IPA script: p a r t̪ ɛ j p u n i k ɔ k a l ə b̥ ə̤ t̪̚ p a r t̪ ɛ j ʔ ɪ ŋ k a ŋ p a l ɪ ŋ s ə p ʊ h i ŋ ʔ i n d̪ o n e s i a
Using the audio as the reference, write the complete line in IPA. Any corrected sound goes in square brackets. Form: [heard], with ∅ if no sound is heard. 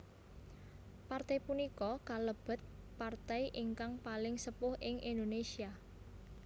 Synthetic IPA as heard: p a r t̪ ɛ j p u n i k ɔ k a l ə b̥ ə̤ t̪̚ p a r t̪ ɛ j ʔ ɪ ŋ k a ŋ p a l ɪ ŋ s ə p ʊ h [ɪ] ŋ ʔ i n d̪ o n e s i a